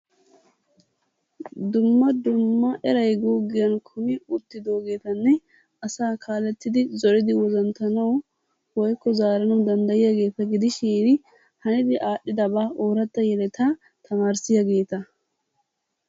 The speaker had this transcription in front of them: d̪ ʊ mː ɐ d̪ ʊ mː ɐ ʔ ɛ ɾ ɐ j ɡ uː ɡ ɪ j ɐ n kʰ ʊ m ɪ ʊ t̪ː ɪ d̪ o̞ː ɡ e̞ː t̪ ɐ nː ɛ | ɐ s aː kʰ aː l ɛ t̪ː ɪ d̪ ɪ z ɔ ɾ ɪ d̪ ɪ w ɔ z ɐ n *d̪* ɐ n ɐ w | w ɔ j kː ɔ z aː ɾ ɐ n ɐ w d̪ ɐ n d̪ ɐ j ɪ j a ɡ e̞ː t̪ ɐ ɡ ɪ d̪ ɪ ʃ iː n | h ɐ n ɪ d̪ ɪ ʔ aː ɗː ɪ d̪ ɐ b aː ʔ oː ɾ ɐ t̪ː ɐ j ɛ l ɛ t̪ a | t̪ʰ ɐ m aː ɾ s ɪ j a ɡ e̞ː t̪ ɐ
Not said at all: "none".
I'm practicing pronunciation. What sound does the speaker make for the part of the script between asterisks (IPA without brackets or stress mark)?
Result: t̪